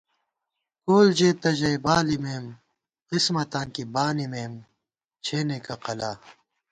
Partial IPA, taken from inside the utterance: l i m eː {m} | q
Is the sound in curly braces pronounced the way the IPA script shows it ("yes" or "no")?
yes